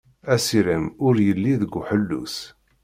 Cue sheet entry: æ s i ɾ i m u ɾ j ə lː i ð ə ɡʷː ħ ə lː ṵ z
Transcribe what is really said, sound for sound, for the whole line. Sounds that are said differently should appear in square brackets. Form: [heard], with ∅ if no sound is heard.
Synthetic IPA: æ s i ɾ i m [ʊ] ɾ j ə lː i ð ə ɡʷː ħ ə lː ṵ [s]